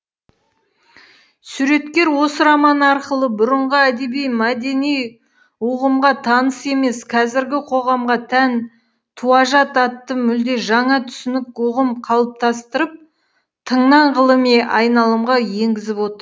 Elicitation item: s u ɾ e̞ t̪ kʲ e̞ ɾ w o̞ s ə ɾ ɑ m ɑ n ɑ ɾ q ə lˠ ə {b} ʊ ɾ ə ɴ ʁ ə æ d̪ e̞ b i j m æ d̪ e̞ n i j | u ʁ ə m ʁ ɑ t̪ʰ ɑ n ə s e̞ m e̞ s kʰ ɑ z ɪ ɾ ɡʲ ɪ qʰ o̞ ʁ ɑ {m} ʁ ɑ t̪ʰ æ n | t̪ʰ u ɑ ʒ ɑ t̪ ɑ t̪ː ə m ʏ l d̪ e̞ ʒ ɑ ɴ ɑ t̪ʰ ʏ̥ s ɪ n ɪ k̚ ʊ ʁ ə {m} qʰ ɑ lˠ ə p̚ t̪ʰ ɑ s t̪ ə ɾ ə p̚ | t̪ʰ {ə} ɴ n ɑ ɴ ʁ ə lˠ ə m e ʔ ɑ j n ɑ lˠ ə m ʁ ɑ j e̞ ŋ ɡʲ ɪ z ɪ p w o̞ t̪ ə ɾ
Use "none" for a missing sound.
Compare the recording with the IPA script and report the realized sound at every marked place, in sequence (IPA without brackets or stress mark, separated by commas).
b, m, m, ə